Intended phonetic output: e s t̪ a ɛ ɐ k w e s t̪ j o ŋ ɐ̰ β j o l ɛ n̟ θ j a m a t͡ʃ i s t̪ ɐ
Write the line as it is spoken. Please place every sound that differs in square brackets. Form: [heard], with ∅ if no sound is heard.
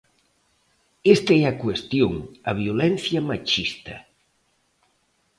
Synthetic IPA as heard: e s t̪ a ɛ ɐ k w e s t̪ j o ŋ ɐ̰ β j o l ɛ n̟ θ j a m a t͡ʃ i s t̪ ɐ